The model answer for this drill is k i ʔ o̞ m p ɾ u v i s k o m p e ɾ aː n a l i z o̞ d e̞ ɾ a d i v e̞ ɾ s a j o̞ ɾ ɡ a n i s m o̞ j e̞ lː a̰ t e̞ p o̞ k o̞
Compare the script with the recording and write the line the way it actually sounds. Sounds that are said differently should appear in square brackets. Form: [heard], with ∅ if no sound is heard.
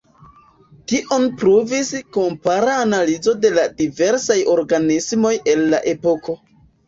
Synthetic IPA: [t] i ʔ o̞ [n] p ɾ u v i s k o m p [a] ɾ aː n a l i z o̞ d e̞ [l] a d i v e̞ ɾ s a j o̞ ɾ ɡ a n i s m o̞ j e̞ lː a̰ [ʔ] e̞ p o̞ k o̞